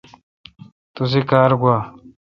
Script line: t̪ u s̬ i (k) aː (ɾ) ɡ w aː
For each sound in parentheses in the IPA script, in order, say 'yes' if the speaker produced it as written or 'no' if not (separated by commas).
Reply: yes, yes